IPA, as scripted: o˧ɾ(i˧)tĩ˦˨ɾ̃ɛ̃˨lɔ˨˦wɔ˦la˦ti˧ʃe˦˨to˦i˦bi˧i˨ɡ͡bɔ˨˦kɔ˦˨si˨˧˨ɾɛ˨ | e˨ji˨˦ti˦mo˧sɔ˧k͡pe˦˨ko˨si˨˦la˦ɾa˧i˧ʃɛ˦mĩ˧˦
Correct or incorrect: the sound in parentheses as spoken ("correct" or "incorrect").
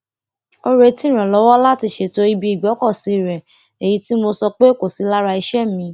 incorrect